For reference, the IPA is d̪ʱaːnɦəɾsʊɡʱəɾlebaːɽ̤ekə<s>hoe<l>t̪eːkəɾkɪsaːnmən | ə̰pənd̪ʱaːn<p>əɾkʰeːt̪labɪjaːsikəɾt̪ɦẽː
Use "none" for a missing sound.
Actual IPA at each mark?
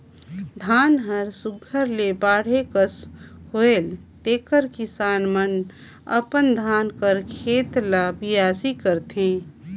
s, l, k

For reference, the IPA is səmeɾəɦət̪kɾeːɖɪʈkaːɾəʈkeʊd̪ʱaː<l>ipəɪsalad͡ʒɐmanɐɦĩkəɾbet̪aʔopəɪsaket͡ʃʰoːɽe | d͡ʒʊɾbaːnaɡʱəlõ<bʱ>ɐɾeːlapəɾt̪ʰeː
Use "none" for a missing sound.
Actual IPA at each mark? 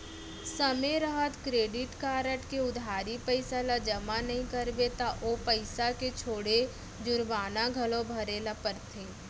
ɾ, bʱ

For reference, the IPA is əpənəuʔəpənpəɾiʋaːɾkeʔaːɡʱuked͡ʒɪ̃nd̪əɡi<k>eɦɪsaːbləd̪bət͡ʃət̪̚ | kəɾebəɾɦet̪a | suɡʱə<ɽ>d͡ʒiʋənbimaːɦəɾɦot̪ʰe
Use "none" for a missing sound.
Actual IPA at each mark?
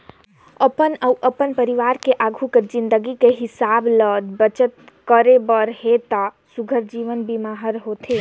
k, ɾ

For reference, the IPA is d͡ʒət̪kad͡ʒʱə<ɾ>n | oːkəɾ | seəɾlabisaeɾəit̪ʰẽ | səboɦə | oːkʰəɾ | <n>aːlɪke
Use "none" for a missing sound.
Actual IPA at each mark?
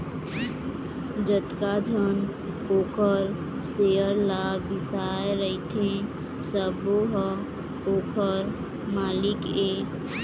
none, m

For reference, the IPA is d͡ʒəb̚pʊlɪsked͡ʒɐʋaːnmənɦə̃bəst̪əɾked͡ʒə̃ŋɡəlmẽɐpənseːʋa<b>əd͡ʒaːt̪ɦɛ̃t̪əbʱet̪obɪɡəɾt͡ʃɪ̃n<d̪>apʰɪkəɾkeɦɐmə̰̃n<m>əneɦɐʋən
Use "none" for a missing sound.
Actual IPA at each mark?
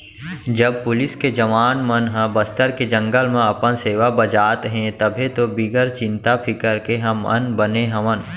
b, t̪, b

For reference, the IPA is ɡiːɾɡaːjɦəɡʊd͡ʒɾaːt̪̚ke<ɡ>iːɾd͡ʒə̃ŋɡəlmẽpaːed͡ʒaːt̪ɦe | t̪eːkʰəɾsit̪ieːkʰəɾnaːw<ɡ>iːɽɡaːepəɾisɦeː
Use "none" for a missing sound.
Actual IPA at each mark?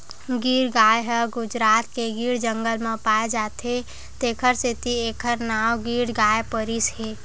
ɡ, ɡ

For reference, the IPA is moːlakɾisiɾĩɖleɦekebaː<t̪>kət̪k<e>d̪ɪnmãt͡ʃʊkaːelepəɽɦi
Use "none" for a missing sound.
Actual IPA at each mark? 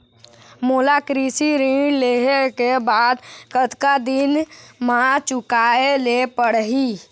d̪, a

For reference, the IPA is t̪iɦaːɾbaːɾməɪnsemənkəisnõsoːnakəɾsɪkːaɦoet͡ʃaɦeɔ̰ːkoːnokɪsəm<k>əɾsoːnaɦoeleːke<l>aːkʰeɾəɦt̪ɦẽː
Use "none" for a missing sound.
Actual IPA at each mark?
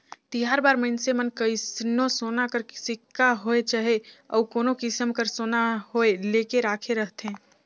k, ɾ

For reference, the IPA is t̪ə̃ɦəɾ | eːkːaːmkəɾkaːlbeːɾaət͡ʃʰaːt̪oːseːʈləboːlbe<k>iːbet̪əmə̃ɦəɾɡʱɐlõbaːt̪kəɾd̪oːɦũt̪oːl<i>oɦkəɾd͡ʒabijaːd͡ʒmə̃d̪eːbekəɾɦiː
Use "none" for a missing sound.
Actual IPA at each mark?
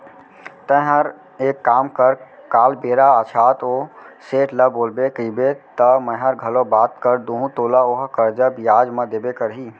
k, a

